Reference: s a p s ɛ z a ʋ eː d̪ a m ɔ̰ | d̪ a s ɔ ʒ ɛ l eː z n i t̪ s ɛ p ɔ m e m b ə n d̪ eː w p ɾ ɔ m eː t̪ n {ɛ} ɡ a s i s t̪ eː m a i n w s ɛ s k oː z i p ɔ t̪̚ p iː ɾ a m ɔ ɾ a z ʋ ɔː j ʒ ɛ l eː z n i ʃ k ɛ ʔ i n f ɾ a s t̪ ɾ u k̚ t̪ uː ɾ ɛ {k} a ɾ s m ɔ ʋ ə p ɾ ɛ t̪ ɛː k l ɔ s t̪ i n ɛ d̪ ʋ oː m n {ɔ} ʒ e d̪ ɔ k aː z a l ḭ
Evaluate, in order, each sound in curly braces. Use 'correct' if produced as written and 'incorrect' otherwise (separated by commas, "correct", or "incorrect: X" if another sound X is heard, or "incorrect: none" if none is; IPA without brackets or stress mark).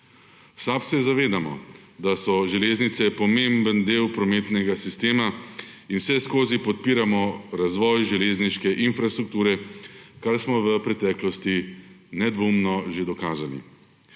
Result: correct, correct, correct